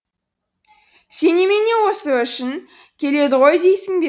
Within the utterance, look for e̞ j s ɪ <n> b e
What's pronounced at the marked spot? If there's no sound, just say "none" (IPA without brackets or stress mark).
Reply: ŋ